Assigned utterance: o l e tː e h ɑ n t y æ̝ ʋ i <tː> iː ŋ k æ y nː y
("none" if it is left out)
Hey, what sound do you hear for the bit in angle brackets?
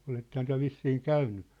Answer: sː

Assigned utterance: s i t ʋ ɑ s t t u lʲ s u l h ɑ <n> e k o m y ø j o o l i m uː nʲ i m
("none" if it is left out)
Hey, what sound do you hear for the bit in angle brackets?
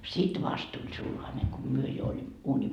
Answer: n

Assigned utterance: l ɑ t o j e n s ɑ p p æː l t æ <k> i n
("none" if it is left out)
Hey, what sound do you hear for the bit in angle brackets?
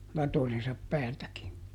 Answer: k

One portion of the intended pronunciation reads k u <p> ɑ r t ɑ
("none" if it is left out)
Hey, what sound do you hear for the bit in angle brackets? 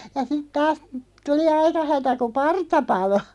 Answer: p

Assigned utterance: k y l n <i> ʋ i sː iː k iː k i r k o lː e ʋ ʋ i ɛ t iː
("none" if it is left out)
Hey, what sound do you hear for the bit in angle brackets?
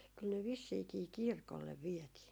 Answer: e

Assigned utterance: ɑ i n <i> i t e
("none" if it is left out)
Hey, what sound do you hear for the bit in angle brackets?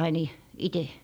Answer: i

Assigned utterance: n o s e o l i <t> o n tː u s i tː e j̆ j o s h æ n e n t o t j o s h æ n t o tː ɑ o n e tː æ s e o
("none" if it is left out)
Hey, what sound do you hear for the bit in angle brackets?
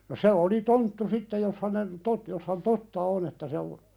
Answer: t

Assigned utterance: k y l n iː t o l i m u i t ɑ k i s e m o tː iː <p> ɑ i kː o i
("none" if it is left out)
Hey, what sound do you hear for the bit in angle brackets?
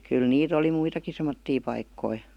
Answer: p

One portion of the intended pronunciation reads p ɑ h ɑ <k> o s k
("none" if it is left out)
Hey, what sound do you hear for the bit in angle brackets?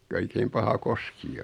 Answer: k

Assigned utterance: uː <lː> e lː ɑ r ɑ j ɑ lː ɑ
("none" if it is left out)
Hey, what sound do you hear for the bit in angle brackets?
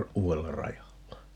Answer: none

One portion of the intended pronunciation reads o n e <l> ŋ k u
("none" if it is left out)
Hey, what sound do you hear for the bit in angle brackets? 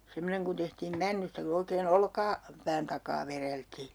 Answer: none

